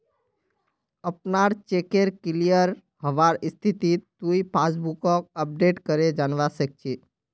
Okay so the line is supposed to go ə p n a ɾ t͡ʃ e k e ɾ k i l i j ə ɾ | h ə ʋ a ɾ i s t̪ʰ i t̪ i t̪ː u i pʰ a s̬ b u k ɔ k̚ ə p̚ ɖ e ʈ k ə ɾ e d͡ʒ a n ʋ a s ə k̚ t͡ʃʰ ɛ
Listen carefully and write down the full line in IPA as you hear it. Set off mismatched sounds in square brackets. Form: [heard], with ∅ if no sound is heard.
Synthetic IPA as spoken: ə p n a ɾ t͡ʃ e k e ɾ k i l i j ə ɾ | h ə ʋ a ɾ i s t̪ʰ i t̪ i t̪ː u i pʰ a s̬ b u k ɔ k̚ ə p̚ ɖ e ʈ k ə ɾ e d͡ʒ a n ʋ a s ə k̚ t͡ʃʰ [i]